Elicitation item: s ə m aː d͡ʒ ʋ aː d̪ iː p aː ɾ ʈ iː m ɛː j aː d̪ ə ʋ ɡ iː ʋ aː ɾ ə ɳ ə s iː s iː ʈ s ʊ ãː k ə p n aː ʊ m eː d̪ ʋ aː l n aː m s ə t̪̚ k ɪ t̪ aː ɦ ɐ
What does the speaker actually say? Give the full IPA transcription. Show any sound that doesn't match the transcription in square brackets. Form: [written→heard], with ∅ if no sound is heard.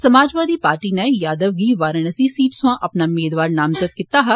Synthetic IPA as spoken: s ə m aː d͡ʒ ʋ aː d̪ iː p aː ɾ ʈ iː [m→n] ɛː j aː d̪ ə ʋ ɡ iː ʋ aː ɾ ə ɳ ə s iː s iː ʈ s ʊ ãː [k→ʔ] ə p n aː ʊ m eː d̪ ʋ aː [l→ɾ] n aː m [s→z] ə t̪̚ k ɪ t̪ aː ɦ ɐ